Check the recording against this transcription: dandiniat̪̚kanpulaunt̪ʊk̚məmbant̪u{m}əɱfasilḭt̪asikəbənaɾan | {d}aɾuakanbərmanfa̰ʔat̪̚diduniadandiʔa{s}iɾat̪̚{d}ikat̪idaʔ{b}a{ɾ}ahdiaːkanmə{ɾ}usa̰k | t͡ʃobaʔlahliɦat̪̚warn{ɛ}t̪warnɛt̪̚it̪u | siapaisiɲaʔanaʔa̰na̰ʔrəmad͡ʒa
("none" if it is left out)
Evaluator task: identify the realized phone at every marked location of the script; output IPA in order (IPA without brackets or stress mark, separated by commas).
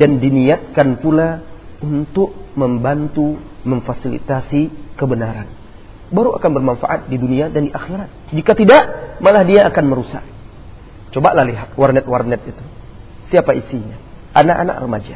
m, b, x, d͡ʒ, m, l, ɾ, ɛ